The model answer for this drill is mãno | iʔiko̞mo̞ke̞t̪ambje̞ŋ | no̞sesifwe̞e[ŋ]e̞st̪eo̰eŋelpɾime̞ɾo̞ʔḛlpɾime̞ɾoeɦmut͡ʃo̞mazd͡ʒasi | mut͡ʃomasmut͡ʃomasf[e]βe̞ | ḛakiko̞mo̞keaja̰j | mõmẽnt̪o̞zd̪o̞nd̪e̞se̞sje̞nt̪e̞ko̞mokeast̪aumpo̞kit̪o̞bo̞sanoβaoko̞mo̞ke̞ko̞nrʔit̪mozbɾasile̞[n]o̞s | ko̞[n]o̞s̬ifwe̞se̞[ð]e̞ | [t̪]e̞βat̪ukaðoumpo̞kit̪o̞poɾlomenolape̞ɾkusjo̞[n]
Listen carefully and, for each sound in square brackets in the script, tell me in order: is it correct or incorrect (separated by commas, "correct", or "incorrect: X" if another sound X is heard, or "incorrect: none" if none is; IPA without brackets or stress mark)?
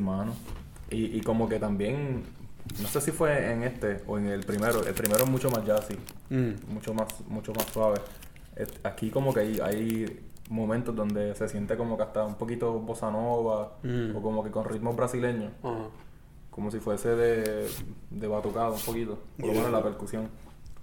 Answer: correct, incorrect: a, incorrect: ɲ, incorrect: m, correct, incorrect: d̪, incorrect: ŋ